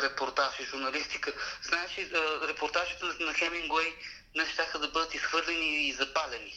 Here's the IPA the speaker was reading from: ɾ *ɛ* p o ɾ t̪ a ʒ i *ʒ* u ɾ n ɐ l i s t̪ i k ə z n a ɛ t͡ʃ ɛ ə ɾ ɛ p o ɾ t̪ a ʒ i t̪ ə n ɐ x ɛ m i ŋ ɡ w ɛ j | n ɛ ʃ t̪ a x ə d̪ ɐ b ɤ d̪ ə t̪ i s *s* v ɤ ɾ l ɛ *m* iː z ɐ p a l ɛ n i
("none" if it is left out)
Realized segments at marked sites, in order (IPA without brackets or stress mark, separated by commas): ɛ, ʒ, x, n